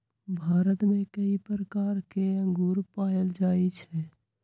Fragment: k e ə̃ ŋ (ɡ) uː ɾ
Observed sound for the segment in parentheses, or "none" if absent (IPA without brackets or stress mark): ɡ